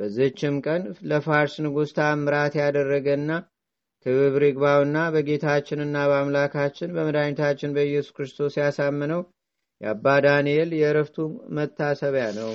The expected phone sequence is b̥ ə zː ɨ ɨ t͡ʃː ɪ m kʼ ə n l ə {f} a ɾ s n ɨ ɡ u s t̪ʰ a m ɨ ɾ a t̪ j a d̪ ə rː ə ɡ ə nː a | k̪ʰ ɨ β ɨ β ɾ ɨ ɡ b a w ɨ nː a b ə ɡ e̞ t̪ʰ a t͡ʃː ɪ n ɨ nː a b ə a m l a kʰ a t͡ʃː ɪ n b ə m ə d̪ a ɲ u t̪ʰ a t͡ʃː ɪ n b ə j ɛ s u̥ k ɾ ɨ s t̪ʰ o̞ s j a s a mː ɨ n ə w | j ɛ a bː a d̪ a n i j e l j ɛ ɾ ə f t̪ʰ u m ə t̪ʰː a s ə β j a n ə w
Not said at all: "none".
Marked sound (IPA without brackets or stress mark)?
f